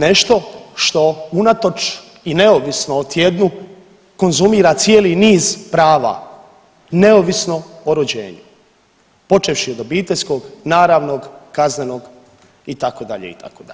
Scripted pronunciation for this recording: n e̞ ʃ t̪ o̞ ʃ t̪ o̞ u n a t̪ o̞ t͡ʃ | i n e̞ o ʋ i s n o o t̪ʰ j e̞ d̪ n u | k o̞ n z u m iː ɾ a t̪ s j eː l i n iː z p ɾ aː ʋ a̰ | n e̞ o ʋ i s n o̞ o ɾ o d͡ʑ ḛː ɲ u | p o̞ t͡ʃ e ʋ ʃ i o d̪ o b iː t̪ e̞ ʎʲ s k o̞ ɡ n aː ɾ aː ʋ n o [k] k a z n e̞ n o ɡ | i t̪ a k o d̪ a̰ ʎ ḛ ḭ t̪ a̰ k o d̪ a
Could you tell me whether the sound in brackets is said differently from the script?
yes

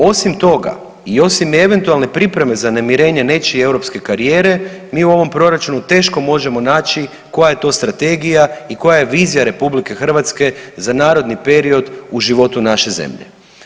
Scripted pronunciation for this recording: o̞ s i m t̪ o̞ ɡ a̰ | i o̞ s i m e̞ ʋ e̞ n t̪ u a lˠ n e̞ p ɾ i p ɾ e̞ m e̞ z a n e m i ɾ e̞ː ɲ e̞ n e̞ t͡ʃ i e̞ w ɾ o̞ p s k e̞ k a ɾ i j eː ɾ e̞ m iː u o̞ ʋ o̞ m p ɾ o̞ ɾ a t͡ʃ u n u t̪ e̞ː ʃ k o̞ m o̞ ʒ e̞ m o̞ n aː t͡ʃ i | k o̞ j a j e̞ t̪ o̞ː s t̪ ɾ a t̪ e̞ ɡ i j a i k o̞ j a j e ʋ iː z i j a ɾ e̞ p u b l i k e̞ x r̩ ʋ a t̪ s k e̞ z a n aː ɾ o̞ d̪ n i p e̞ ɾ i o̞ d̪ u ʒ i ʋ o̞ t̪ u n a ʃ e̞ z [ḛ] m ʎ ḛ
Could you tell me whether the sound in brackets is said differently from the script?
no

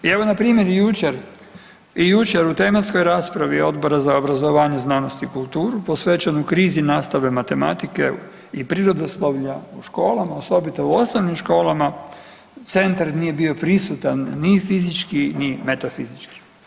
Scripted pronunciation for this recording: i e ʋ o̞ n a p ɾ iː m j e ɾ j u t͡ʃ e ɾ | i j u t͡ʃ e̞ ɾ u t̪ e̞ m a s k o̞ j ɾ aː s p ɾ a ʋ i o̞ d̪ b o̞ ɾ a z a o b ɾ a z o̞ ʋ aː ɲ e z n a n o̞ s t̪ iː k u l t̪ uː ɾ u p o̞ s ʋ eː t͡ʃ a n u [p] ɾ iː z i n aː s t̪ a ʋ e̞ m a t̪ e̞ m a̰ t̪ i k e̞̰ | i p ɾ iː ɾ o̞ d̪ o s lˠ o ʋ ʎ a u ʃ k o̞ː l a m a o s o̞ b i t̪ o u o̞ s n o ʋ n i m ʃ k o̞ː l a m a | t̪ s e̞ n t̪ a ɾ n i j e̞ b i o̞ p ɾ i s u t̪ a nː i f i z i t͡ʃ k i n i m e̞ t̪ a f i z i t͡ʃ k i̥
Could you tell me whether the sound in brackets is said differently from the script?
yes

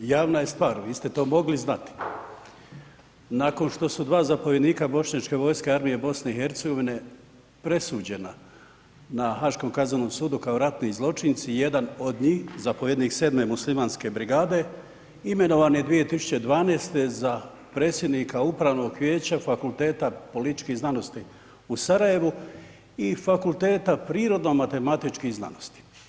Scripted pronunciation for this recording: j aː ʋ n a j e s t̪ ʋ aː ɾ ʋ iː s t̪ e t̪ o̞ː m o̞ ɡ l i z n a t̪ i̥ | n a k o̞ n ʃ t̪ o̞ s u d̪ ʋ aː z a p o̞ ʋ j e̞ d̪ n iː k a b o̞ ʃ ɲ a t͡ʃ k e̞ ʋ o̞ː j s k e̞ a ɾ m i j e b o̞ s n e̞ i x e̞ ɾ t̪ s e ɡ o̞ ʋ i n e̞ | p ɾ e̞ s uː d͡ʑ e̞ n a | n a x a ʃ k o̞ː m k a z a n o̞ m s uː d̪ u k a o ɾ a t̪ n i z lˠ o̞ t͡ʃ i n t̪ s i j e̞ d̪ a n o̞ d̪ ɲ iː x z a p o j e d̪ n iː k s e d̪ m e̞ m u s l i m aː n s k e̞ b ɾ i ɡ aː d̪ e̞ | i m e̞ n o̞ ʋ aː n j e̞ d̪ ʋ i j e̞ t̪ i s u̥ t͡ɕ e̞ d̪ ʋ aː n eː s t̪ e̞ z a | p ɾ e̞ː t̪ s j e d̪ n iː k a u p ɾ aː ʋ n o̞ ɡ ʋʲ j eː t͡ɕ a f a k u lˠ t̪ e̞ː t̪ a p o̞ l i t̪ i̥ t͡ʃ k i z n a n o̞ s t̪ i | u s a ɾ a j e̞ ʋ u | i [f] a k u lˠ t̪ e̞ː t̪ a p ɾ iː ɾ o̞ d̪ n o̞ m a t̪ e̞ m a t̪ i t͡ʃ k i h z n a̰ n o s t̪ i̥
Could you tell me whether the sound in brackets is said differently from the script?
no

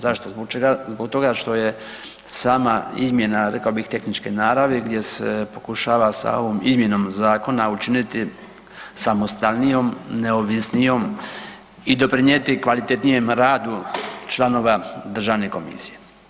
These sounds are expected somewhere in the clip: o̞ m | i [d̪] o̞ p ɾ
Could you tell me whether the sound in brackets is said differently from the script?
no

